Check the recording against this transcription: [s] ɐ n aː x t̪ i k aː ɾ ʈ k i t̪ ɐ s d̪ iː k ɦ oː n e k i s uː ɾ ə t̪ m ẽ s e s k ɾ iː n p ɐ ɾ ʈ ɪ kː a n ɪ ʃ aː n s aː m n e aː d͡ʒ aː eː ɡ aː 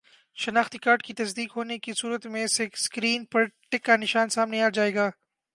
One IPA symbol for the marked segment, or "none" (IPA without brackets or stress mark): ʃ